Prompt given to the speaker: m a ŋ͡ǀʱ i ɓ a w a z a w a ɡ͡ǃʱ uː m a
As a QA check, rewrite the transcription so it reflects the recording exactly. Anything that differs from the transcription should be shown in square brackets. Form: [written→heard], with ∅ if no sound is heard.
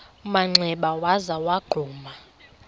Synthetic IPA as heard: m a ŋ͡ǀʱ [i→ɛ] ɓ a w a z a w a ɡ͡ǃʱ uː m a